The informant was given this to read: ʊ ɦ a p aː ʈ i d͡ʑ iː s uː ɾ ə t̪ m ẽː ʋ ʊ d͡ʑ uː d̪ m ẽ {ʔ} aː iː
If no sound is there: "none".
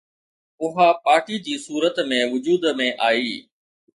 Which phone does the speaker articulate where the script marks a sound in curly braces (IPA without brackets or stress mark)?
ʔ